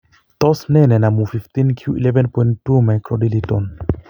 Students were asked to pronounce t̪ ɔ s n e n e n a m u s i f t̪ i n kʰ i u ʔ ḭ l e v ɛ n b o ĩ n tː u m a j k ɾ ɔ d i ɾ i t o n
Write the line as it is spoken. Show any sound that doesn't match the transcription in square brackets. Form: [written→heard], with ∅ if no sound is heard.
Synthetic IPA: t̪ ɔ s n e n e n a m u [s→f] i f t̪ i n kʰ i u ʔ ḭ l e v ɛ n [b→p] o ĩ n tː u m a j k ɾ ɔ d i [ɾ→l] i t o n